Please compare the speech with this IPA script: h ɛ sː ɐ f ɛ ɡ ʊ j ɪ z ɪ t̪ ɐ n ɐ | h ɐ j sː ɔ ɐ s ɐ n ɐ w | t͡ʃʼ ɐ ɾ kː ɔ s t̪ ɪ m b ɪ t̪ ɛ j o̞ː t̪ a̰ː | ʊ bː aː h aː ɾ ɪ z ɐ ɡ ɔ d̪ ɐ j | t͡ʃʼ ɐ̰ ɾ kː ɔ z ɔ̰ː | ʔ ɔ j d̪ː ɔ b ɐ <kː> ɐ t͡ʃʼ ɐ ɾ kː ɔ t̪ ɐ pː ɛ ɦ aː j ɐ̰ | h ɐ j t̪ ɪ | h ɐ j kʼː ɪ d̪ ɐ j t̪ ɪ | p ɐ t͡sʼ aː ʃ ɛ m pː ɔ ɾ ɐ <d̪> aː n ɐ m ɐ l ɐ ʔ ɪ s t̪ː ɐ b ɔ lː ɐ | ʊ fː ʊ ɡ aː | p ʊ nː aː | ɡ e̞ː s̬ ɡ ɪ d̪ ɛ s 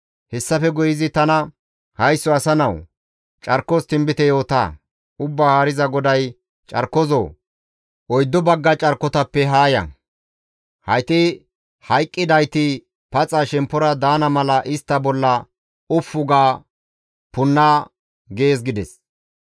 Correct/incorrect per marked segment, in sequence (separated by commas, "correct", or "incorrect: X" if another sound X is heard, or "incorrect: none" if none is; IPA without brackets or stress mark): incorrect: ɡː, correct